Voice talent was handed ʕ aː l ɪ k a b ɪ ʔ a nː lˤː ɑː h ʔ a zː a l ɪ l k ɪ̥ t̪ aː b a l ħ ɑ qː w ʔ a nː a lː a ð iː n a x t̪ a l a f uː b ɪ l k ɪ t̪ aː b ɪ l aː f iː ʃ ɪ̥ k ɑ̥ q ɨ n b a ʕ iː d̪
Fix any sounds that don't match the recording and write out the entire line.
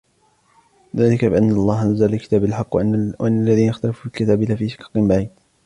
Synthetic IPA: ð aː l ɪ k a b ɪ ʔ a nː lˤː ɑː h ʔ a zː a l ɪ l k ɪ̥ t̪ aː b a l ħ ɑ qː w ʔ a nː a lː a ð iː n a x t̪ a l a f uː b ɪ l k ɪ t̪ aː b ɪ l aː f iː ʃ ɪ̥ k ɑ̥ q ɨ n b a ʕ iː d̪